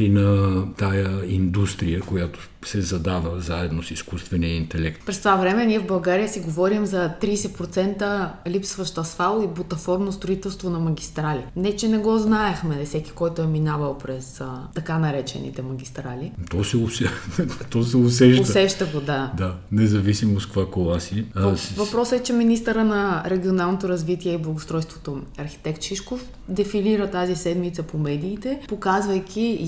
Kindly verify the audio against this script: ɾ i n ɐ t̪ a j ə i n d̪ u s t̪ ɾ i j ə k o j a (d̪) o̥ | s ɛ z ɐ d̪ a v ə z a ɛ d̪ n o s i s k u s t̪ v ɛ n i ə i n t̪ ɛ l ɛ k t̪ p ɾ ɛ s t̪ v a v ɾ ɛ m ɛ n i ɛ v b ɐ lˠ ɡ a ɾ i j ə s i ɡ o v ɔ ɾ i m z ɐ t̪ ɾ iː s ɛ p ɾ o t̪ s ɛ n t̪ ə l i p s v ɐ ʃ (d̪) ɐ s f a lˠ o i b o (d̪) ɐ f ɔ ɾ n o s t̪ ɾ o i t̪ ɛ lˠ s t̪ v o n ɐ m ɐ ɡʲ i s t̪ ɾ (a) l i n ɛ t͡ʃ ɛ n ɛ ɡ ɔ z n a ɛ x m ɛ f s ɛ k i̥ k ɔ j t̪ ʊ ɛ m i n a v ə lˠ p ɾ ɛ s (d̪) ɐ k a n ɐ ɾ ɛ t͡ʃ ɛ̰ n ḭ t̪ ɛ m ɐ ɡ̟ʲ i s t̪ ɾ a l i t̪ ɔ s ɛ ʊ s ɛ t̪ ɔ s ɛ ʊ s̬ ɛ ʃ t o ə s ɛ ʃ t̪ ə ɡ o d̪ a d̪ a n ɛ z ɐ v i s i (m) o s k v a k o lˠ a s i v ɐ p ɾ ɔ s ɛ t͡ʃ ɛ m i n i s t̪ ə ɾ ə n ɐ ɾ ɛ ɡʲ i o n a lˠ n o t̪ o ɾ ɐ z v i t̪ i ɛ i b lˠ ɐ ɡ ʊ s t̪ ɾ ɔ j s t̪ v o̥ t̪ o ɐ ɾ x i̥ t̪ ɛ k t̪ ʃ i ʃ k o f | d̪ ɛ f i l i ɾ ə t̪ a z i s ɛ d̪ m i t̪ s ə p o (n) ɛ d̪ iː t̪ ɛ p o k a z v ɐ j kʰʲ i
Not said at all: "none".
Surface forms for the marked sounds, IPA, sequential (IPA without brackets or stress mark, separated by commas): t̪, t̪, t̪, a, t̪, m, m